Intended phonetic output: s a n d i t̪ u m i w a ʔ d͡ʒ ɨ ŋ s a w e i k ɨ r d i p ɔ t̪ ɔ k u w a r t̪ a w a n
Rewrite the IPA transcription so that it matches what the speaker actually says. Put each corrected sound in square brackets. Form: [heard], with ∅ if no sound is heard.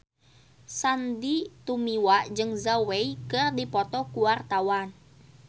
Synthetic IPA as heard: s a n d i t̪ u m i w a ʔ d͡ʒ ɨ ŋ [z] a w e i k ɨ r d i p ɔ t̪ ɔ k u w a r t̪ a w a n